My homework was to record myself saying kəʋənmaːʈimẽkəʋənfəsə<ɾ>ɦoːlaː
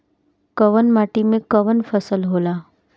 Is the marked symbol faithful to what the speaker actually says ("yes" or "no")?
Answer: no